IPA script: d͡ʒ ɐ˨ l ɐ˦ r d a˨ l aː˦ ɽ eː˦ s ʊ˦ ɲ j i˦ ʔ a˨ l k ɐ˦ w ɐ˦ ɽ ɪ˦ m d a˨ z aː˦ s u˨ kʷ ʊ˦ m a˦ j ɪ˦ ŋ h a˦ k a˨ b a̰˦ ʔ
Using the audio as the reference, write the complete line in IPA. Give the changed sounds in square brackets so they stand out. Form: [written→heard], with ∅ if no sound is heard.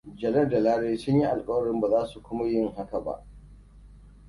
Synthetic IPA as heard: d͡ʒ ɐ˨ l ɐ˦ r d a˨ l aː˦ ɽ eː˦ s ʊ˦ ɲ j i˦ ʔ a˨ l [k→kʼ] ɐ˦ w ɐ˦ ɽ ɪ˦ m [d→b] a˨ z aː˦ s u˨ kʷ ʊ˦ m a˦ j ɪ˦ ŋ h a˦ k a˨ b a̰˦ ʔ